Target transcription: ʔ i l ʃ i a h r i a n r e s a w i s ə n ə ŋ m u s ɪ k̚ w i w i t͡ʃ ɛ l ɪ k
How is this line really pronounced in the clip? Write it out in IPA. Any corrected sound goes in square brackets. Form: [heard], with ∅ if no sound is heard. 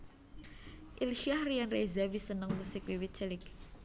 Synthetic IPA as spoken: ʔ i l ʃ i a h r i a n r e [z] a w i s ə n ə ŋ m u s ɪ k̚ w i w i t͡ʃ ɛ l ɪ k